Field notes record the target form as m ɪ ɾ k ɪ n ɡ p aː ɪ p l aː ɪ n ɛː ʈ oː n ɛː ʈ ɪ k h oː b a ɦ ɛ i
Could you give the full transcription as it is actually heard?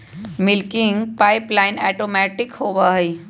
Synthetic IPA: m ɪ l k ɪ ŋ ɡ p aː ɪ p l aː ɪ n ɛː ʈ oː m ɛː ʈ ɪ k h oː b a ɦ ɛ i